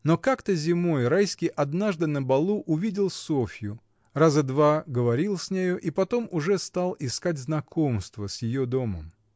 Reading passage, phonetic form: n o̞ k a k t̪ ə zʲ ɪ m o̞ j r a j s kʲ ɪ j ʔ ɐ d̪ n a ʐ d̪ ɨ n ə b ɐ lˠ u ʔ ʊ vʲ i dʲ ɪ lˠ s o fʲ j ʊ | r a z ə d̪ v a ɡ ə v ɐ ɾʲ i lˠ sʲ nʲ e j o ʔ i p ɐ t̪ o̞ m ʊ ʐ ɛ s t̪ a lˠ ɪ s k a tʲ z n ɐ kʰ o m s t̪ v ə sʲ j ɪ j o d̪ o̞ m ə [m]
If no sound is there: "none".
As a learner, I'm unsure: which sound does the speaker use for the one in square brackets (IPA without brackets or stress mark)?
m